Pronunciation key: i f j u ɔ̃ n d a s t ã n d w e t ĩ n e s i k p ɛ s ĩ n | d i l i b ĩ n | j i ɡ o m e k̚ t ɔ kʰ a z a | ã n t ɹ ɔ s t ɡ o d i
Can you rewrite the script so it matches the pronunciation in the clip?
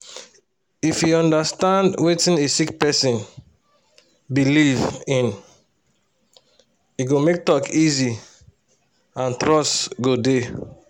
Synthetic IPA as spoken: i f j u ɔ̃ n d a s t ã n d w e t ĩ n e s i k p ɛ s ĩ n | b i l i v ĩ n | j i ɡ o m e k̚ t ɔ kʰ i z i | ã n t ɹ ɔ s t ɡ o d e